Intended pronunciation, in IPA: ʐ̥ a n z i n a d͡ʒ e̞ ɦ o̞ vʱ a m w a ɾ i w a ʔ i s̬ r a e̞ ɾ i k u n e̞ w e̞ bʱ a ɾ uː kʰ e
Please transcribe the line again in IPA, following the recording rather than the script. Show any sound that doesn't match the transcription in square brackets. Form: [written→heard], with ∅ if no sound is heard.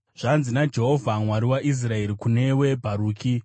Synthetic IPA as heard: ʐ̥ a n z i n a d͡ʒ e̞ ɦ o̞ vʱ a m w a ɾ i w a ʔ i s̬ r a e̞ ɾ i k u n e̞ w e̞ bʱ a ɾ uː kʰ [e→i]

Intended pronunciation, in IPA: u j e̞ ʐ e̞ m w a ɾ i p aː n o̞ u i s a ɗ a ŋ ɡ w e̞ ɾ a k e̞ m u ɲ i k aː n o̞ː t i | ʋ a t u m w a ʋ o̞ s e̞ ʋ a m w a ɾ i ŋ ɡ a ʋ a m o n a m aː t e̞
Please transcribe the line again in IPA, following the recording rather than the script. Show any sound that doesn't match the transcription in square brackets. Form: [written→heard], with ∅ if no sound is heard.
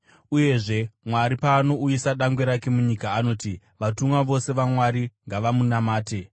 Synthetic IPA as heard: u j e̞ ʐ e̞ m w a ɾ i p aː n o̞ u i s a ɗ a ŋ ɡ w e̞ ɾ a k e̞ m u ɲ i k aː n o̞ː t i | ʋ a t u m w a ʋ o̞ s e̞ ʋ a m w a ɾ i ŋ ɡ a ʋ a m [o→u] n a m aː t e̞

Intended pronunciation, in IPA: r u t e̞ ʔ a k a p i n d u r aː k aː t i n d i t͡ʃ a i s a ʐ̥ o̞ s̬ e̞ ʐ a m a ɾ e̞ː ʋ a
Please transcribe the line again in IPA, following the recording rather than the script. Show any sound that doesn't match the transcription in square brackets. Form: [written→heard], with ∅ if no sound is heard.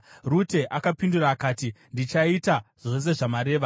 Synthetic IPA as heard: r u t e̞ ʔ a k a p i n d u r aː k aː t i n d i t͡ʃ a i [s→t] a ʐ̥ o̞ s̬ e̞ ʐ a m a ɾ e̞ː ʋ a

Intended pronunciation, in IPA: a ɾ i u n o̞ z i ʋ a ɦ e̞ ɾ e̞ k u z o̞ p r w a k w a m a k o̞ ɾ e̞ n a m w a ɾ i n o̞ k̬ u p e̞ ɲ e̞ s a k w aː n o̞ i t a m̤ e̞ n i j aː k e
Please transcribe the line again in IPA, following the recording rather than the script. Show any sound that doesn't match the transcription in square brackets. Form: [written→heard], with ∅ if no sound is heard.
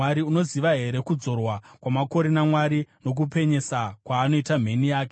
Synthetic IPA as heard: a ɾ i u n o̞ z i ʋ a ɦ e̞ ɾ e̞ k u [z→d͡z] o̞ [p→∅] r w a k w a m a k o̞ ɾ e̞ n a m w a ɾ i n o̞ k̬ u p e̞ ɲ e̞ s a k w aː n o̞ i t a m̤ e̞ n i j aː k e

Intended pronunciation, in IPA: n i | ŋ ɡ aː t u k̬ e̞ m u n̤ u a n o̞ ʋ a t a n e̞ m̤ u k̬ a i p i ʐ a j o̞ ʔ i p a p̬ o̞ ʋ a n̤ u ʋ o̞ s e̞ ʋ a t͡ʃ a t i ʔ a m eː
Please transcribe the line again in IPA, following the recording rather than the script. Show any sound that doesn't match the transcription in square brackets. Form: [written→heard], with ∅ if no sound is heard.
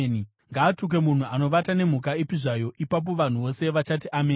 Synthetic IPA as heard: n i | ŋ ɡ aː t u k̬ e̞ m u n̤ u a n o̞ ʋ a t a n e̞ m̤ u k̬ a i p i ʐ a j o̞ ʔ i p a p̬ o̞ ʋ a n̤ u ʋ o̞ s e̞ ʋ a t͡ʃ a t i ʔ a m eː

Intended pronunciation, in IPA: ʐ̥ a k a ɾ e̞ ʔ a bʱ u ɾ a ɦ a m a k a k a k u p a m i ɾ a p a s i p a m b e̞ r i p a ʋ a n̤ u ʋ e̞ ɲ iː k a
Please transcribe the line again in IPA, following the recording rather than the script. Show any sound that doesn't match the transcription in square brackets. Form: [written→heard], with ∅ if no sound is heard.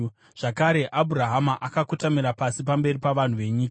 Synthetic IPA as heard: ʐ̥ a k a ɾ e̞ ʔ a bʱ u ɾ a ɦ a m a [k→ʔ] a k a k u [p→t] a m i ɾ a p a s i p a m b e̞ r i p a ʋ a n̤ u ʋ e̞ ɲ iː k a

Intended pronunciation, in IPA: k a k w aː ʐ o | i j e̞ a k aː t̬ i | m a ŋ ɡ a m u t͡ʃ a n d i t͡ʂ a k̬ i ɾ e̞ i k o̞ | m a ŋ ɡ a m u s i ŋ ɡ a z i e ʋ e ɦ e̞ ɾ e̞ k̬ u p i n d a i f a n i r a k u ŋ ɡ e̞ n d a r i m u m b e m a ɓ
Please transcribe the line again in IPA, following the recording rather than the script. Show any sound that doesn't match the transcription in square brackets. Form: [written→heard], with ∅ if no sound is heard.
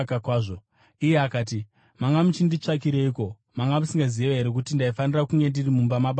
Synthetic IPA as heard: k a k w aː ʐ o | i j e̞ a k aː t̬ i | m a ŋ ɡ a m u t͡ʃ [a→i] n d i t͡ʂ a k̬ i ɾ e̞ i k o̞ | m a ŋ ɡ a m u s i ŋ ɡ a z i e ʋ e ɦ e̞ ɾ e̞ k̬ u [p→t] i n d a i f a n i r a k u ŋ ɡ e̞ n d [a→i] r i m u m b [e→a] m a ɓ

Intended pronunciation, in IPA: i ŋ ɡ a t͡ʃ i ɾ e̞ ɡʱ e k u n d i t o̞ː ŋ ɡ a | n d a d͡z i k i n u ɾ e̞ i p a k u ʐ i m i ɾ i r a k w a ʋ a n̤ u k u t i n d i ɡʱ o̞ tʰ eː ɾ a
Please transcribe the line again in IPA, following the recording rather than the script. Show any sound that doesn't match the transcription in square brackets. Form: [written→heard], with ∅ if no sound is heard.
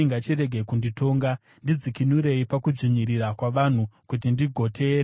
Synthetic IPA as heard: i ŋ ɡ a t͡ʃ i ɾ e̞ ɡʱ e k u n d i t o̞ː ŋ ɡ a | n d [a→i] d͡z i k i n u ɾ e̞ i p a k u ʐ i [m→ɲ] i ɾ i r a k w a ʋ a n̤ u k u t i n d i ɡʱ o̞ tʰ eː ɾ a

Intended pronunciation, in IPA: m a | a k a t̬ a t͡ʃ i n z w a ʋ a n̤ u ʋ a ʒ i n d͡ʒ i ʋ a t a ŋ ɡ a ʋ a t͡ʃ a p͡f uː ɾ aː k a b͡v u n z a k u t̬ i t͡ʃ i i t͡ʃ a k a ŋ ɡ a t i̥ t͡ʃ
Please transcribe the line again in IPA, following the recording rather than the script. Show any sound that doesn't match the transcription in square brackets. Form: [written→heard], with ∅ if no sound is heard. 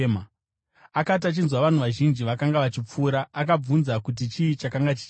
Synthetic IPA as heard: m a | a k a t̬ a t͡ʃ i n z w a ʋ a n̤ u ʋ a ʒ i n d͡ʒ i ʋ a [t→k] a ŋ ɡ a ʋ a t͡ʃ [a→i] p͡f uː ɾ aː k a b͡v u n z a k u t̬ i t͡ʃ i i t͡ʃ a k a ŋ ɡ a [t→t͡ʃ] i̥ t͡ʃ

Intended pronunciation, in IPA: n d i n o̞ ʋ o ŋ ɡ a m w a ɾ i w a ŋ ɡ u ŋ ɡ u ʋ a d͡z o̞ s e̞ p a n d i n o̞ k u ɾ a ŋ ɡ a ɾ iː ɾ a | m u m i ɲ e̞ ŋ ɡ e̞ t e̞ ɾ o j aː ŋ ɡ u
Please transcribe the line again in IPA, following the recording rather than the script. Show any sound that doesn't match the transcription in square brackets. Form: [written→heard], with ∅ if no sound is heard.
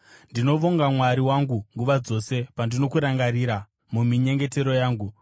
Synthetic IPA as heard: n d i n o̞ ʋ o ŋ ɡ a m w a ɾ i w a ŋ ɡ u ŋ ɡ u ʋ a d͡z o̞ s e̞ p a n d i n o̞ k u ɾ a ŋ ɡ a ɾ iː ɾ a | m u m i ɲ e̞ ŋ ɡ e̞ t e̞ ɾ o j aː ŋ ɡ u

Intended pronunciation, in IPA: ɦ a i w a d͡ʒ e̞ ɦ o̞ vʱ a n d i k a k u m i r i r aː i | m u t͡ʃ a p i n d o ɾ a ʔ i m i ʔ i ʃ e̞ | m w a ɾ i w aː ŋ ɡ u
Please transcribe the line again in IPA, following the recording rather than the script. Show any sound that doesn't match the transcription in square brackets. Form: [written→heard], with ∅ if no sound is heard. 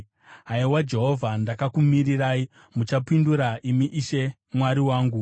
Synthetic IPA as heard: ɦ a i w a d͡ʒ e̞ ɦ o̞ vʱ a n d [i→a] k a k u m i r i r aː i | m u t͡ʃ a p i n d [o→u] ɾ a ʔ i m i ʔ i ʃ e̞ | m w a ɾ i w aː ŋ ɡ u

